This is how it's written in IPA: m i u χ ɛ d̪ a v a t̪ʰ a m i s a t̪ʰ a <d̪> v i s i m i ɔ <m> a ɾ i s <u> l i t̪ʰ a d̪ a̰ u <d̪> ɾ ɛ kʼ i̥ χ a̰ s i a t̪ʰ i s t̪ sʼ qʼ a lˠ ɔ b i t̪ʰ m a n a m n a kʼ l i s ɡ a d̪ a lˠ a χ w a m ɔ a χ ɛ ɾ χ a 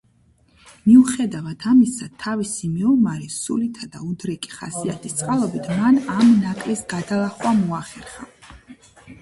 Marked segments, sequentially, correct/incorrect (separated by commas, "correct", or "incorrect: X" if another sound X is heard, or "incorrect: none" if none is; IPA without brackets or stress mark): incorrect: none, correct, correct, correct